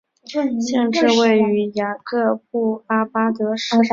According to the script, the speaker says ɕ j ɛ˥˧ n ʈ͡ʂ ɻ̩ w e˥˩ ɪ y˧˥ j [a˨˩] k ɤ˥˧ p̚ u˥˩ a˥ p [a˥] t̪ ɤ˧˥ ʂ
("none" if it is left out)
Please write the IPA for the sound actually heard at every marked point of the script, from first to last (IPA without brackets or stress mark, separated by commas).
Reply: a˨˩, a˥